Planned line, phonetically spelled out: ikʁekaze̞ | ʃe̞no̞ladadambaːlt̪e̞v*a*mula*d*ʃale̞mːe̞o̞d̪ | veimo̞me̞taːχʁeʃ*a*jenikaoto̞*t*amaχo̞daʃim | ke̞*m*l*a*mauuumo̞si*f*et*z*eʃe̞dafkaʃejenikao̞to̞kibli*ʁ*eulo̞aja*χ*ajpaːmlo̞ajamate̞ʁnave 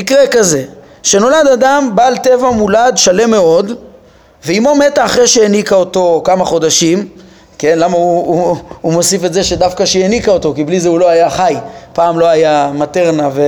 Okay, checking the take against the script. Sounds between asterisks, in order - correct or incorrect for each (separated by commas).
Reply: correct, correct, incorrect, incorrect, incorrect, correct, correct, correct, incorrect, correct